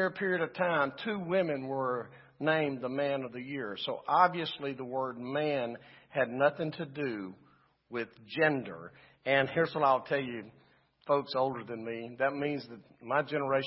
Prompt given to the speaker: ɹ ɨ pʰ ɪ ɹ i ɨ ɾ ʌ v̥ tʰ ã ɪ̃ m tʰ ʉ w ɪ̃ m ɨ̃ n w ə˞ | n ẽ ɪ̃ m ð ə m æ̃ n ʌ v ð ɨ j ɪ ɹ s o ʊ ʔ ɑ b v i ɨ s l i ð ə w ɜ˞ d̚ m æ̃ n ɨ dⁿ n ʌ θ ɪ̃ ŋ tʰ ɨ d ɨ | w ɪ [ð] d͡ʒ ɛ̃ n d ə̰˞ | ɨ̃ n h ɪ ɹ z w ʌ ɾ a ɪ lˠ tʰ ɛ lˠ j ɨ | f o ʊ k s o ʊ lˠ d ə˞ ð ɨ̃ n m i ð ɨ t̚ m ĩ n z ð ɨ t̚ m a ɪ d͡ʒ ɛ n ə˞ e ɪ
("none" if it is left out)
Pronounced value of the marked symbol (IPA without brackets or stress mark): ð